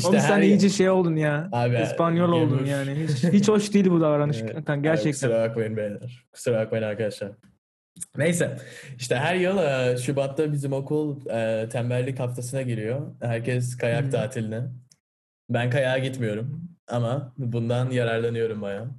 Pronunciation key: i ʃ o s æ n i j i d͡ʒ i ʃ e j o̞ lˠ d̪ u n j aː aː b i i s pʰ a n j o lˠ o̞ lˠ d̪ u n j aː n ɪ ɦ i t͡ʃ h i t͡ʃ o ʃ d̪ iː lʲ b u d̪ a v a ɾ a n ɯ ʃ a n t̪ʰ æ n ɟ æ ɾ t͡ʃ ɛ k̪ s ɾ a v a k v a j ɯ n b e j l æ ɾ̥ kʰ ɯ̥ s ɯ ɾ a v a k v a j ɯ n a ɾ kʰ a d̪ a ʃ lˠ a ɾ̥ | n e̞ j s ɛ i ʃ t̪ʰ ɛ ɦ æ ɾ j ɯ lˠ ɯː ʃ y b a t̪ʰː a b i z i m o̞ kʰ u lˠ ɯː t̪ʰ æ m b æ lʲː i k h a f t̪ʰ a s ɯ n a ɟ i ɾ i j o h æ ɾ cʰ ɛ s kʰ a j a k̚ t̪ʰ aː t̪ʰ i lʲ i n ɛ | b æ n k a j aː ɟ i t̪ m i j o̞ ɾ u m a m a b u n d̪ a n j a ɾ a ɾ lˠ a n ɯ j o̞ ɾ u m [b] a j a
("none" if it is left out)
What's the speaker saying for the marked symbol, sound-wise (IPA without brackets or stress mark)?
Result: b